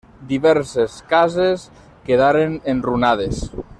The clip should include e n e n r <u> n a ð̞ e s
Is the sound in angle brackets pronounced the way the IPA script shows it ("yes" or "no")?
yes